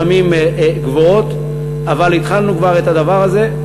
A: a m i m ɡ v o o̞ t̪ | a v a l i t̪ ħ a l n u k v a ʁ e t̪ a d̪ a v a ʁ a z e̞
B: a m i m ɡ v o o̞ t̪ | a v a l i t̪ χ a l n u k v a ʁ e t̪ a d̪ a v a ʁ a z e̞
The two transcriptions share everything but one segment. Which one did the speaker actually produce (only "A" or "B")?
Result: B